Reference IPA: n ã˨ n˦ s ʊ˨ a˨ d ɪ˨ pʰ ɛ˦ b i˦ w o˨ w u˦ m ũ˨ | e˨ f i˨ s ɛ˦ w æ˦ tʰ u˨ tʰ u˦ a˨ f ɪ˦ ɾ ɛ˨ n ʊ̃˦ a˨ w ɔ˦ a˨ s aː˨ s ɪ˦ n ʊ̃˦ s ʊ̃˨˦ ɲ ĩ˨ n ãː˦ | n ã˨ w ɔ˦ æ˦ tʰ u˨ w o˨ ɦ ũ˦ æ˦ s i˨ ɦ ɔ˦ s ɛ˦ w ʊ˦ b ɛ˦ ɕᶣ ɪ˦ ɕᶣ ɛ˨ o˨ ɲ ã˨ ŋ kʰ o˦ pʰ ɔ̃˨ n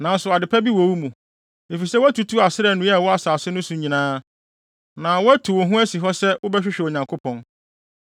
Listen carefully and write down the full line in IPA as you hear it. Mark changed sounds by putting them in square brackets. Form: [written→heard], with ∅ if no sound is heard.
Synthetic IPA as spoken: n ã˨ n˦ s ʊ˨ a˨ d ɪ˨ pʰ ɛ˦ b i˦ w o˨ w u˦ m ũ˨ | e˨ f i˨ s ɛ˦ w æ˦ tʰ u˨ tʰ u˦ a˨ [f→s] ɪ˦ ɾ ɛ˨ n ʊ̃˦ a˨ w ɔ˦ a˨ s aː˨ s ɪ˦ n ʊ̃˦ s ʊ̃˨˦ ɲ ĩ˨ n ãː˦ | n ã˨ w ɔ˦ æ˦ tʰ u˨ w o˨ ɦ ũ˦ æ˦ s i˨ ɦ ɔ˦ s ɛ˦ w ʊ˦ b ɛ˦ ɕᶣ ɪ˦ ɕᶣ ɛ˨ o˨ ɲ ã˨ ŋ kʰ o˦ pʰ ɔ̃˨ n

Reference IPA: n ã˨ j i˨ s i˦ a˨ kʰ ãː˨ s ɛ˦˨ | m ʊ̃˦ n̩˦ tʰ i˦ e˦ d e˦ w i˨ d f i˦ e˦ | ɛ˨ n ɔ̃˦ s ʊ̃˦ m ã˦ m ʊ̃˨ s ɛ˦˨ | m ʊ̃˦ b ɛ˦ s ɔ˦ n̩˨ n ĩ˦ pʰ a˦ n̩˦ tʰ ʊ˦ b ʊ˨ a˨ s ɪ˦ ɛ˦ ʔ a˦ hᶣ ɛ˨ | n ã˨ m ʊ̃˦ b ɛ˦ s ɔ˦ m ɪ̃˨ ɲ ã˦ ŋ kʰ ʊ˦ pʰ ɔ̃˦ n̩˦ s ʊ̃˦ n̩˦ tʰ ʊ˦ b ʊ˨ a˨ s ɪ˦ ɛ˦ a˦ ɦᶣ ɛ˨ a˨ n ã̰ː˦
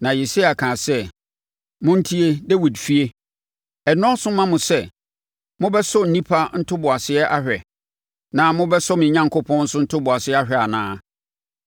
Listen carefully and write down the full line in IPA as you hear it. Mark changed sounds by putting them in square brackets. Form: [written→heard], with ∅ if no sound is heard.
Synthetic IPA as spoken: n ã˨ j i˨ s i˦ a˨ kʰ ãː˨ s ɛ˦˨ | m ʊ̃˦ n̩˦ tʰ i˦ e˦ d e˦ w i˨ d f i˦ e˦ | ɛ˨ n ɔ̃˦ s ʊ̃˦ m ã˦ m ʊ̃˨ s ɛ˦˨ | m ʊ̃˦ b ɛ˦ s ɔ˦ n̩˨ n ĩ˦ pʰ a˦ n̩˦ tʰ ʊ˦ b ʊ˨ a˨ s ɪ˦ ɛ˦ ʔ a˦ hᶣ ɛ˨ | n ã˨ m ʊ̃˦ b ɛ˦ s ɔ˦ m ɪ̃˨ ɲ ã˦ ŋ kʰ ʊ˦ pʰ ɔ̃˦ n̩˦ s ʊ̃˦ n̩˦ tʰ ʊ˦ b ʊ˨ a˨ s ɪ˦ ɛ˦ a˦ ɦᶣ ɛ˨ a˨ n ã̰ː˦

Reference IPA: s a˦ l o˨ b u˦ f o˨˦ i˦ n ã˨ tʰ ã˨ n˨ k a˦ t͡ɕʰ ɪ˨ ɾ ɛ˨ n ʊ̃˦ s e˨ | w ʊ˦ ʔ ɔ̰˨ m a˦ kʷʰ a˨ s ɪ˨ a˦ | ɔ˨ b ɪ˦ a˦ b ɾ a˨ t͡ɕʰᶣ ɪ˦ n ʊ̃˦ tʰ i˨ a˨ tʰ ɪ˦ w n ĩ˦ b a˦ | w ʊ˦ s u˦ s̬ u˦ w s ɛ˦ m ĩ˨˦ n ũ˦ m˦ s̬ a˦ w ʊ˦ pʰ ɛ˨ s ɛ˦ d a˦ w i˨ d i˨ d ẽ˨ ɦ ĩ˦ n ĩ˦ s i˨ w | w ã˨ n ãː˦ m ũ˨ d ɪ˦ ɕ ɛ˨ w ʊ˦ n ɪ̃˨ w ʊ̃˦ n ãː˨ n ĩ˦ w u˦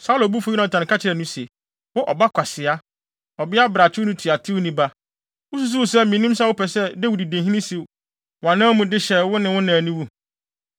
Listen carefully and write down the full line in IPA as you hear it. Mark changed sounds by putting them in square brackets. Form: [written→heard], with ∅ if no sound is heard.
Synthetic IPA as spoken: s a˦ l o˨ b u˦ f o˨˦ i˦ n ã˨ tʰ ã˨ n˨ k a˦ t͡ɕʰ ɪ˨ ɾ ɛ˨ n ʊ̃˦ s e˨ | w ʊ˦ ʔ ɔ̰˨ [m→b] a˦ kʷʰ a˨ s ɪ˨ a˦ | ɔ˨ b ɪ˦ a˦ b ɾ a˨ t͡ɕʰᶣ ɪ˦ n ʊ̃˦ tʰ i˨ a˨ tʰ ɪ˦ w n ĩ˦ b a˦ | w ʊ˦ s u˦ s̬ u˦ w s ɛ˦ m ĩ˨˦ n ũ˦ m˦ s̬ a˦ w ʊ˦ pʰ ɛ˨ s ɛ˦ d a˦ w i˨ d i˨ d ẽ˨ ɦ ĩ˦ n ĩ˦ s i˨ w | w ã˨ n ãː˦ m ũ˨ d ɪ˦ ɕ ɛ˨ w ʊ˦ n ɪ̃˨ w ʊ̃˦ n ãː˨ n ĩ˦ w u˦

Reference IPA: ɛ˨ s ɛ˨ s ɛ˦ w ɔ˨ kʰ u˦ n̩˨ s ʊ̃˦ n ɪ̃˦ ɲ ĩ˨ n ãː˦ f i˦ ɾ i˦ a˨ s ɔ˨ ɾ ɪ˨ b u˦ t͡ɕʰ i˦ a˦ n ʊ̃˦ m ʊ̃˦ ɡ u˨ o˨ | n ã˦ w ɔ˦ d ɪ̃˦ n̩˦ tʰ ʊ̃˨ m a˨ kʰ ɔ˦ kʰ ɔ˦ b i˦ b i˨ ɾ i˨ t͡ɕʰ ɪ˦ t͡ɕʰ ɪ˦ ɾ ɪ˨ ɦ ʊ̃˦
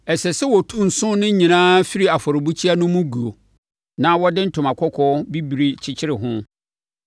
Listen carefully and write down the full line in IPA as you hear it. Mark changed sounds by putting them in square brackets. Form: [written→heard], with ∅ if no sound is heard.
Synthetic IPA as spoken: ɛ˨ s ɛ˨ s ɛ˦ w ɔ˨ [kʰ→tʰ] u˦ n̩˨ s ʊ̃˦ n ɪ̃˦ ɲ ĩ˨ n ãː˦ f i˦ ɾ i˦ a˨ [s→f] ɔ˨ ɾ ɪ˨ b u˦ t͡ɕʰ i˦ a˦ n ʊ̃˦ m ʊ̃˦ ɡ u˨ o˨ | n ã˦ w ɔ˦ d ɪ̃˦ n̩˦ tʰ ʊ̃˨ m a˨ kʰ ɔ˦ kʰ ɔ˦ b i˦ b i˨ ɾ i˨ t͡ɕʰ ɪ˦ t͡ɕʰ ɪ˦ ɾ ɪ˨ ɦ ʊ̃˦

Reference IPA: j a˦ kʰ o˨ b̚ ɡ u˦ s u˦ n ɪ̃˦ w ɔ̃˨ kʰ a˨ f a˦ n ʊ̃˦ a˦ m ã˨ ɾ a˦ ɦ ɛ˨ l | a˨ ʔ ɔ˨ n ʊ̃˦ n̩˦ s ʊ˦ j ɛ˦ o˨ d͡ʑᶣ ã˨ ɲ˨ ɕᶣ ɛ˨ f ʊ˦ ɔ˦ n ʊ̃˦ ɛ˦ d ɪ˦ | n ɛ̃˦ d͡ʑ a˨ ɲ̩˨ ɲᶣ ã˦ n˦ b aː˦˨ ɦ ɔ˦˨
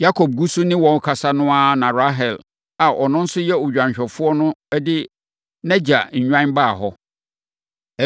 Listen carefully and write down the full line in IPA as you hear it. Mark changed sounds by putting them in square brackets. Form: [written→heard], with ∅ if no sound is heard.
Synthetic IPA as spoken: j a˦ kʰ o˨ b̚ ɡ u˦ s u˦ n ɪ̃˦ w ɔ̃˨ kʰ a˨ [f→s] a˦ n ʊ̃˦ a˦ [m→n] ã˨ ɾ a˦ ɦ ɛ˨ l | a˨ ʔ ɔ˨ n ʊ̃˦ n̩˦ s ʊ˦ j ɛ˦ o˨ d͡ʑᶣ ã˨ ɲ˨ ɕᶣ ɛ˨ f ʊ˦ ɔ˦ n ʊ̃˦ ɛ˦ d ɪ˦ | n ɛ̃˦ d͡ʑ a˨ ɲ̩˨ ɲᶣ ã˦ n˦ b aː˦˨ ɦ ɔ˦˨

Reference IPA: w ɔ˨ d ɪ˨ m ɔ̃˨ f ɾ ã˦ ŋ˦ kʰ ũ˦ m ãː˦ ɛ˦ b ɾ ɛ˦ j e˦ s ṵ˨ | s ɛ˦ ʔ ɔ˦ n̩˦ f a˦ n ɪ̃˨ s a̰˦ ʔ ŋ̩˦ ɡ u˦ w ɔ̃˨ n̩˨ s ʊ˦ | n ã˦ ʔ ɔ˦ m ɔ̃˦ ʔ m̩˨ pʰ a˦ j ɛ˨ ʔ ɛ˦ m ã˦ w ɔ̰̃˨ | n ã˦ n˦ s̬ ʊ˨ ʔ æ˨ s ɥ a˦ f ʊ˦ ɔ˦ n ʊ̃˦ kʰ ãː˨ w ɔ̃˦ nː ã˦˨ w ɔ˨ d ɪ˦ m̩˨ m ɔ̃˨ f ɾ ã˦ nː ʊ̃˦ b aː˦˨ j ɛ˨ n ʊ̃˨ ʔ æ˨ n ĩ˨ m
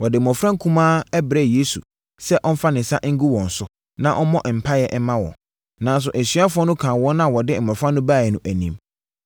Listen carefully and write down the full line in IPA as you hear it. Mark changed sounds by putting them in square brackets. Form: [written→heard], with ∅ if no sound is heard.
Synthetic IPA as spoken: w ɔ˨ d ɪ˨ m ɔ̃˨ f ɾ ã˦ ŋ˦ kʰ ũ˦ m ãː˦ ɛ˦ b ɾ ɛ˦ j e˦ s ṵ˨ | s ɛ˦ ʔ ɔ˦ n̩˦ f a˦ n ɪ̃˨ s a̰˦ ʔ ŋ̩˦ ɡ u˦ w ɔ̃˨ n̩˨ s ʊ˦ | n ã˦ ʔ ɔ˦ m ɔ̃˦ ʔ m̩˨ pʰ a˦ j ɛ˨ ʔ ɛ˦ m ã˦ w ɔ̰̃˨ | n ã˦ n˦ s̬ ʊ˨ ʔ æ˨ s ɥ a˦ f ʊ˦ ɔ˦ n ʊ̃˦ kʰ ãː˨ w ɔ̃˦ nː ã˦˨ w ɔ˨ d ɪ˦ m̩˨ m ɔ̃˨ f ɾ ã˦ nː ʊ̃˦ b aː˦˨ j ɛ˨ n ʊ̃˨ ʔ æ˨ n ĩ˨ m

